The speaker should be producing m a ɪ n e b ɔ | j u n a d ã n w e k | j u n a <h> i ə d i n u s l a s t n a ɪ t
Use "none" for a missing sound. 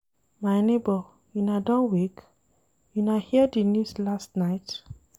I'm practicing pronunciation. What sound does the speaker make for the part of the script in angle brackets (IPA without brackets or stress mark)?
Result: h